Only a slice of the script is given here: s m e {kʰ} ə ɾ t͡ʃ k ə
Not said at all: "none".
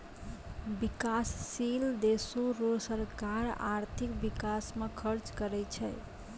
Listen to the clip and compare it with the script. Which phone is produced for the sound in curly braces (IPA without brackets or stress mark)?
kʰ